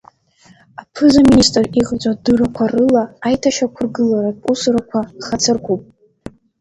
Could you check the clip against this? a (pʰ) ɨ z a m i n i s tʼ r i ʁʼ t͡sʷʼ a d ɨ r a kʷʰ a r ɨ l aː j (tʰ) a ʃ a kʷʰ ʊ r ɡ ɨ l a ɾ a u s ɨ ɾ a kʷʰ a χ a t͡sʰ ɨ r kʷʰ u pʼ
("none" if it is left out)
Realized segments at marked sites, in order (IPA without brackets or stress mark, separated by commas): pʰ, tʰ